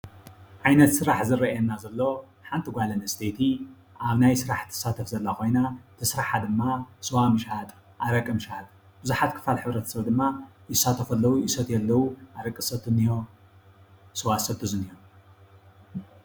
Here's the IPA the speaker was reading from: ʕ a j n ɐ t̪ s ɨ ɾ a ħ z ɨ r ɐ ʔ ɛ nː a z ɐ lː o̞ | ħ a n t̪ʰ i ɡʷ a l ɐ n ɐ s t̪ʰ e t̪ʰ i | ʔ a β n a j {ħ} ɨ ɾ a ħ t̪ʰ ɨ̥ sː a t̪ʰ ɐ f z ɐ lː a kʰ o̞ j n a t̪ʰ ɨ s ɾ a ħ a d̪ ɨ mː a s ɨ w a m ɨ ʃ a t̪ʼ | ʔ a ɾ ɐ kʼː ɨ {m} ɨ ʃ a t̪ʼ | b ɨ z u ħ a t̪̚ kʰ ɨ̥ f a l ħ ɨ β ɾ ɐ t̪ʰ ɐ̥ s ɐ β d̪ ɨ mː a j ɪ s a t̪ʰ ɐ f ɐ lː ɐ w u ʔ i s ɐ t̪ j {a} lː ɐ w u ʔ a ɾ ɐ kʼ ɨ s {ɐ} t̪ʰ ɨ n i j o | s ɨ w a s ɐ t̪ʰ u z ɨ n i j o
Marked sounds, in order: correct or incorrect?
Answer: incorrect, correct, incorrect, correct

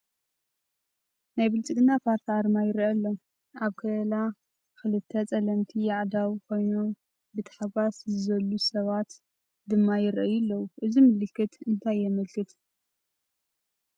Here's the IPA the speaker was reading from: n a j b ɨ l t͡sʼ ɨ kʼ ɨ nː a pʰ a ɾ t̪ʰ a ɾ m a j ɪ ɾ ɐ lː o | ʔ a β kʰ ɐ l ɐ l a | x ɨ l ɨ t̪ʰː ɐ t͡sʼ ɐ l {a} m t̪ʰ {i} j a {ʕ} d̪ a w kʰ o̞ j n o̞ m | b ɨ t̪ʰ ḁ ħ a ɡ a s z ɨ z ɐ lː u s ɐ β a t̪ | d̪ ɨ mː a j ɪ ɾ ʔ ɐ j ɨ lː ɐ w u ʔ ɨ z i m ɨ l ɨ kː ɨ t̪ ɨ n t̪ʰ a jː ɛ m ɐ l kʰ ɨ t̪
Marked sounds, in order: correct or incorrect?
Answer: incorrect, correct, correct

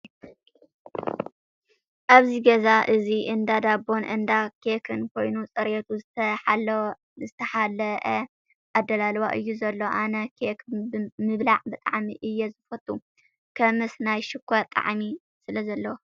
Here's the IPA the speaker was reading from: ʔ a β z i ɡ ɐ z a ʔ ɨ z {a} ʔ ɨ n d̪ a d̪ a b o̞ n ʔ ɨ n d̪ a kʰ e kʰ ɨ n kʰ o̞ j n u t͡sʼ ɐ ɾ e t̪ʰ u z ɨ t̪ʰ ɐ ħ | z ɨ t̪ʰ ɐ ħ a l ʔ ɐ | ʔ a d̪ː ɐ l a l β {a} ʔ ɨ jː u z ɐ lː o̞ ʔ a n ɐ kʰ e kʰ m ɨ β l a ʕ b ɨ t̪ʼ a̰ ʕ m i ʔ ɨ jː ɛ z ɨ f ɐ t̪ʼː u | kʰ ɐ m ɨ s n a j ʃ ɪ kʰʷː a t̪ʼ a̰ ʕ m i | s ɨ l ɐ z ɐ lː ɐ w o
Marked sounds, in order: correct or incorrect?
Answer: incorrect, correct

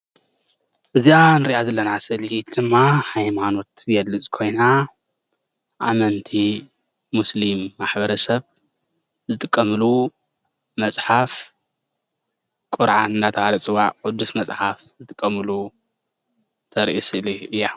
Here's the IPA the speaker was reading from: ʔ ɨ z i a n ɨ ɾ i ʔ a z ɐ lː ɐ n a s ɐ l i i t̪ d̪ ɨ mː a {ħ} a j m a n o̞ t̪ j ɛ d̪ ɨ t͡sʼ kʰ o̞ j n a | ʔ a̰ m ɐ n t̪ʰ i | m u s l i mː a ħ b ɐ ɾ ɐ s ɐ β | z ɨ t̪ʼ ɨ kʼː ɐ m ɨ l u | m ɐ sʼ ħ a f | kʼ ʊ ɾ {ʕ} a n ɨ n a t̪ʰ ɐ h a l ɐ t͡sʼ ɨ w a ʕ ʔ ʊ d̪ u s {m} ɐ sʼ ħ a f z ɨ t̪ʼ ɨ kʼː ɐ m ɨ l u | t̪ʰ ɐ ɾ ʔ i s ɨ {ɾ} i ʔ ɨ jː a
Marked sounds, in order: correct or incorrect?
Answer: incorrect, correct, correct, incorrect

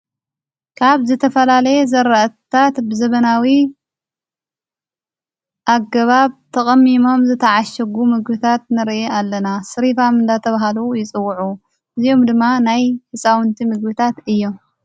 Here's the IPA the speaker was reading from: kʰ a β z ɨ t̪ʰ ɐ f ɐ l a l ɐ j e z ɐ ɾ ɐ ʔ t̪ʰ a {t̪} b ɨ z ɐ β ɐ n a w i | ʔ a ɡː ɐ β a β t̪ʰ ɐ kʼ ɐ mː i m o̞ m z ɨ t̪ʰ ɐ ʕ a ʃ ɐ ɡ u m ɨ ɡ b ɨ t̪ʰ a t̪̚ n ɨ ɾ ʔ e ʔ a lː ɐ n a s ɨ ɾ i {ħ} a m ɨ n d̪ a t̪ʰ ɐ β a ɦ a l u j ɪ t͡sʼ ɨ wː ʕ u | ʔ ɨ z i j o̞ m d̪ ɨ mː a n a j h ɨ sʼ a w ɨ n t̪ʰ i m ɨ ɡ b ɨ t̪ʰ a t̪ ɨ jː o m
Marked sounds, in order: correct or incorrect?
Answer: correct, incorrect

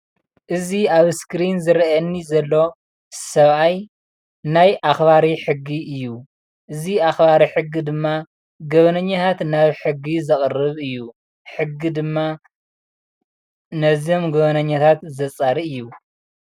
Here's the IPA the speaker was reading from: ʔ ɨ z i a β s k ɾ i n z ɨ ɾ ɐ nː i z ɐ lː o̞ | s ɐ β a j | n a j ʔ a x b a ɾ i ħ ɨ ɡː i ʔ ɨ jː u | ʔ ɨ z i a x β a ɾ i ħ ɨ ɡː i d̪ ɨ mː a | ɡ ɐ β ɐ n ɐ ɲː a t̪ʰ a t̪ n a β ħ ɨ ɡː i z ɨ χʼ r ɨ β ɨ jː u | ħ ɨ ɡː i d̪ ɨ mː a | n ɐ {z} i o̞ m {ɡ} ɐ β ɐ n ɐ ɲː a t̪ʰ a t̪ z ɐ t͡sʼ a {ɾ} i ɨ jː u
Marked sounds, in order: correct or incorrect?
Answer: correct, correct, correct

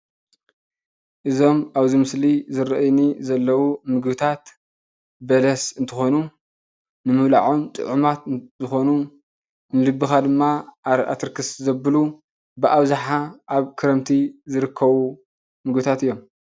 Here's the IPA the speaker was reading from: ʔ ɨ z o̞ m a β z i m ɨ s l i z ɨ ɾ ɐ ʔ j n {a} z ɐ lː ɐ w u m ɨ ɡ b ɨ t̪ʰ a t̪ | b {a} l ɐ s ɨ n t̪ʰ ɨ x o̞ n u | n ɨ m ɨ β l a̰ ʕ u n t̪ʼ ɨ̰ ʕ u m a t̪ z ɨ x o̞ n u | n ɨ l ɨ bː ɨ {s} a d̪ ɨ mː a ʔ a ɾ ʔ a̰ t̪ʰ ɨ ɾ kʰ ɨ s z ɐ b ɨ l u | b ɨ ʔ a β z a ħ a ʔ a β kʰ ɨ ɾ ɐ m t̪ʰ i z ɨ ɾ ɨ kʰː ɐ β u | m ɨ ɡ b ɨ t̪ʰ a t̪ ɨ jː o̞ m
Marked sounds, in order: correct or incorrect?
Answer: incorrect, incorrect, incorrect

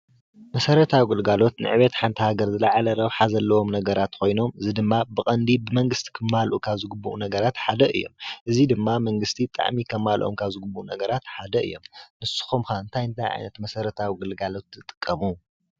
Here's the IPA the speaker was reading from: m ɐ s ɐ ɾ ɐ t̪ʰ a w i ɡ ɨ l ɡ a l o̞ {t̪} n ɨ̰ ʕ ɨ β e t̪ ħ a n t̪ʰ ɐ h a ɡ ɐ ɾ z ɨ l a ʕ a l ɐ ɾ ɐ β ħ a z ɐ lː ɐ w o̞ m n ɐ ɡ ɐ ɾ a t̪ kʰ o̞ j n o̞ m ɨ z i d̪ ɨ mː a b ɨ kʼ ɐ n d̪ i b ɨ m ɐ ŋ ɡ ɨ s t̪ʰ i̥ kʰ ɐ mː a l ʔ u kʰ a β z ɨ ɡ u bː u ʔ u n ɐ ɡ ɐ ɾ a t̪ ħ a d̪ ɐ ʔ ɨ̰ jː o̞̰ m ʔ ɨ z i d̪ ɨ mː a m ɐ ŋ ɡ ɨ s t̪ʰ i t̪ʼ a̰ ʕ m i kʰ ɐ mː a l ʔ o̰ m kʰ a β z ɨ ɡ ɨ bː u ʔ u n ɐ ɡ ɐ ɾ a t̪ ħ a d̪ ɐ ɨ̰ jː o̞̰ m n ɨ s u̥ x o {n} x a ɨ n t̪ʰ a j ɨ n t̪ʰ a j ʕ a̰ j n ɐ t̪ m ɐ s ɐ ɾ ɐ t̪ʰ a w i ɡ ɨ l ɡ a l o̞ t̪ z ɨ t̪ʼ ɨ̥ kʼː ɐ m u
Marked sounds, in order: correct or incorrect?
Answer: correct, incorrect

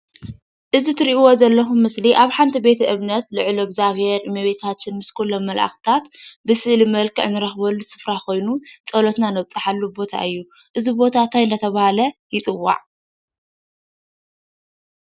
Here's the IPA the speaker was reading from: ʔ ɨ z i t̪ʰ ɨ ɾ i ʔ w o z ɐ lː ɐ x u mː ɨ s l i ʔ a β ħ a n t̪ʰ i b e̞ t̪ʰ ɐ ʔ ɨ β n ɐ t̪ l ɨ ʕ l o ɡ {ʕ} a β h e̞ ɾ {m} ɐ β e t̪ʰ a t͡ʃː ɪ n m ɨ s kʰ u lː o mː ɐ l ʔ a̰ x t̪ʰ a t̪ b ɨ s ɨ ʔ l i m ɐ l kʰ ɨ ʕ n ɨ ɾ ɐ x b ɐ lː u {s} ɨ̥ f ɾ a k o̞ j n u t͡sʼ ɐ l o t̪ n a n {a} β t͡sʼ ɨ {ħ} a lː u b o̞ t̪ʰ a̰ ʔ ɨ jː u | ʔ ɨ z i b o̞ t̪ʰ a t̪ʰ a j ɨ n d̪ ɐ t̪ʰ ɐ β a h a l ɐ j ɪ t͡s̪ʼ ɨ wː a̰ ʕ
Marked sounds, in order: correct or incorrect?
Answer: incorrect, correct, correct, incorrect, correct

